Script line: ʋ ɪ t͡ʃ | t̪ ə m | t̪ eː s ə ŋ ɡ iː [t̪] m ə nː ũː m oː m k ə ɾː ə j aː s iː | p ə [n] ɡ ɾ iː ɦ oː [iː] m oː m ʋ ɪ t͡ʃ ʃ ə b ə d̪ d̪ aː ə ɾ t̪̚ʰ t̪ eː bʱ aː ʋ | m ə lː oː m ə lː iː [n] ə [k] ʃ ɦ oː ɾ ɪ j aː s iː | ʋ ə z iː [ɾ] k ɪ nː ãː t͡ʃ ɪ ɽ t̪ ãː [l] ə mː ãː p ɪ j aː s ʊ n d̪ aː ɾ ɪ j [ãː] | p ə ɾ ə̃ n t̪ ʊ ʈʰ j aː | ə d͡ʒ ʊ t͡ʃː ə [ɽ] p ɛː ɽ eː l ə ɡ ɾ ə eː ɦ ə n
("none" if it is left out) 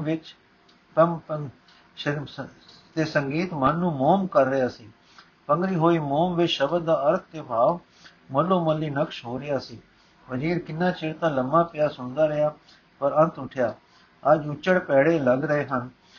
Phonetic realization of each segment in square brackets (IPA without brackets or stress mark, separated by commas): t̪, ŋ, iː, n, k, ɾ, l, aː, ɽ